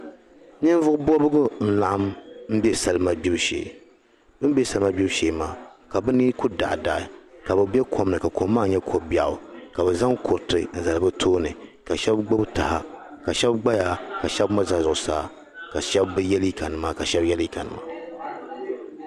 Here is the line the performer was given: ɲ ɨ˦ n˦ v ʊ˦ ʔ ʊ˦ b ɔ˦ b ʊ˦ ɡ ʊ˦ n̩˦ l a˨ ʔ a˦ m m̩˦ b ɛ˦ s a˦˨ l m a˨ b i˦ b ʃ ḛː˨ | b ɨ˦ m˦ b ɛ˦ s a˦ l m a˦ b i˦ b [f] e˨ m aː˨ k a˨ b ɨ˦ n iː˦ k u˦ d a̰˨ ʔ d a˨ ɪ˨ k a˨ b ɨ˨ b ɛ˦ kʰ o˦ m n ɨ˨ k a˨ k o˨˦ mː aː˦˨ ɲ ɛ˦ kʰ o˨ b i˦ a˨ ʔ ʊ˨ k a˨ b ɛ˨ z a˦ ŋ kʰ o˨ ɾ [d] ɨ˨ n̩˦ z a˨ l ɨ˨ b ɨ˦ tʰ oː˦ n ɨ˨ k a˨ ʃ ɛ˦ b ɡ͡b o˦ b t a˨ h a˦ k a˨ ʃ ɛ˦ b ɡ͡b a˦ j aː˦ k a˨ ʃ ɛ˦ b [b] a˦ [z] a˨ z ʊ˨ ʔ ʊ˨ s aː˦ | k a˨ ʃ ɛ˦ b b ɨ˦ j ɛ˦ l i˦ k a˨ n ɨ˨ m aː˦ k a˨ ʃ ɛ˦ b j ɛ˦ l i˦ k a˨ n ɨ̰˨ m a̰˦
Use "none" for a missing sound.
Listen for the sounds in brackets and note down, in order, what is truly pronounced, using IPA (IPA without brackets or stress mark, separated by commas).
ʃ, t, m, z